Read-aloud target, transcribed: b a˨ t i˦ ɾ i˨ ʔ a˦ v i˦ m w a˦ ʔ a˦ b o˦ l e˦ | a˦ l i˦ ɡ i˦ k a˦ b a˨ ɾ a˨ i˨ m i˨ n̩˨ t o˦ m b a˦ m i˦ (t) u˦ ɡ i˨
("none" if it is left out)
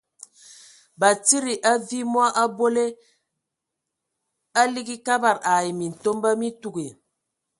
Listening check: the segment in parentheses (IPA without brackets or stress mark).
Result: t